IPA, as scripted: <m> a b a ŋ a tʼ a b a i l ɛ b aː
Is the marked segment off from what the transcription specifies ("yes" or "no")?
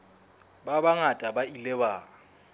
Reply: yes